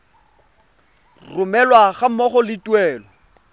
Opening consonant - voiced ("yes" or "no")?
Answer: yes